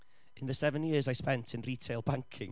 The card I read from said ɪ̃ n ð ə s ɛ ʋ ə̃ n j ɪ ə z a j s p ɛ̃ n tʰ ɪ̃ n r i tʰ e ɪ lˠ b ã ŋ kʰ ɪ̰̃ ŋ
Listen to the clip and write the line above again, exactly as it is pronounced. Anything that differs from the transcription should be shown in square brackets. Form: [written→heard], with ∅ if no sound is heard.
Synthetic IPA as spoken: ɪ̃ n ð ə s ɛ [ʋ→v] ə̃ n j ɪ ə z a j s p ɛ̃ n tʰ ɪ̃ n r i tʰ e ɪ lˠ b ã ŋ kʰ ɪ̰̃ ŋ